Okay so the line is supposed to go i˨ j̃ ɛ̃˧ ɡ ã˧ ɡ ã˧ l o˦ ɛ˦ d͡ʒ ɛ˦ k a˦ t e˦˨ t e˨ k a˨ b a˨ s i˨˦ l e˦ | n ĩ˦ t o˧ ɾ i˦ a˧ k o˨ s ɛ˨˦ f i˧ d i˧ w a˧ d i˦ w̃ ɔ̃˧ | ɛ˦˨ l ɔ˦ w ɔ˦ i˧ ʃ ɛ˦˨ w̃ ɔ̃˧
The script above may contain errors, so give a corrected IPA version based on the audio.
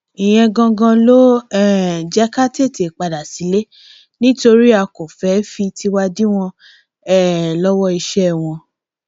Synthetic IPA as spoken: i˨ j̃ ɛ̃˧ ɡ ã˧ ɡ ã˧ l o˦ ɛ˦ d͡ʒ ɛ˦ k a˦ t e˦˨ t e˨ k͡p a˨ d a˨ s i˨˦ l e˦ | n ĩ˦ t o˧ ɾ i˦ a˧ k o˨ f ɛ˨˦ f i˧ t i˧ w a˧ d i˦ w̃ ɔ̃˧ | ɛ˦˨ l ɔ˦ w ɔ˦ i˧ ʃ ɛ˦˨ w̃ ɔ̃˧